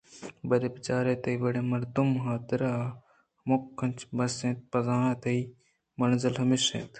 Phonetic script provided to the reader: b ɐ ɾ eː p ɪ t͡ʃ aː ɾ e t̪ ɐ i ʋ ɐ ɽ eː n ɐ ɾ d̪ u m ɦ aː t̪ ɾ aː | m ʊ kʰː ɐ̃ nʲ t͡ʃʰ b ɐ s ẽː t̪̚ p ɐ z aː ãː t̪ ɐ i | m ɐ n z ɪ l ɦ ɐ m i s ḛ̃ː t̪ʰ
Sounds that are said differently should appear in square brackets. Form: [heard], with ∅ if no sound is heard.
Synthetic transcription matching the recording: b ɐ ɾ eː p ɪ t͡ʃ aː ɾ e t̪ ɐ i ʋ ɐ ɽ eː [m] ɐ ɾ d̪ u m ɦ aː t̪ ɾ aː | m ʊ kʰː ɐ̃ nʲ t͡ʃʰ b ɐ s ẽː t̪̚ p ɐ z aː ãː t̪ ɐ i | m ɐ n z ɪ l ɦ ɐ m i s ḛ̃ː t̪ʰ